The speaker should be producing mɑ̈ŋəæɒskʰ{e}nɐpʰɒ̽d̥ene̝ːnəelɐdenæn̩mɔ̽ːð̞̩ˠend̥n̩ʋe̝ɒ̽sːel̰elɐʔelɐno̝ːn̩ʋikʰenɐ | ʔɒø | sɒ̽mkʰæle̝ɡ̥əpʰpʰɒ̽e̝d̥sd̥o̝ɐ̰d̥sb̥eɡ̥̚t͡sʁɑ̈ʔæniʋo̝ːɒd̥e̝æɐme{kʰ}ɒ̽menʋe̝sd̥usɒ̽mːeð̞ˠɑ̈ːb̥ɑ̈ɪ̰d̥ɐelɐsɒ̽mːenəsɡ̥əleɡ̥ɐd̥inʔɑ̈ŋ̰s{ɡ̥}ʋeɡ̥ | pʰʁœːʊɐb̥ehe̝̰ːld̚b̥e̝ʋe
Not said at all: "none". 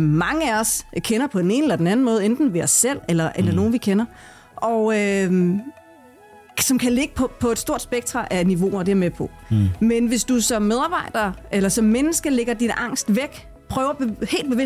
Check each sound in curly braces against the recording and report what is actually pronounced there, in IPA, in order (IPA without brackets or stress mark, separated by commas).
e, pʰ, d̥